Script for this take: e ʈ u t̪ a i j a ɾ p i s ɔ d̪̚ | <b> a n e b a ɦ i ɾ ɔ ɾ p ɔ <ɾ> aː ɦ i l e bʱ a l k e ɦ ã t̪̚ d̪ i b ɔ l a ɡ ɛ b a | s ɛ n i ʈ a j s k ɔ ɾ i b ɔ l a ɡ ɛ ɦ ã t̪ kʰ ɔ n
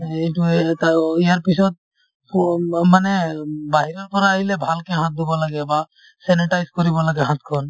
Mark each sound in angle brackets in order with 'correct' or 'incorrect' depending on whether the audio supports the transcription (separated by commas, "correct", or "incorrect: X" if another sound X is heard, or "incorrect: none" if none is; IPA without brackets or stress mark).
incorrect: m, correct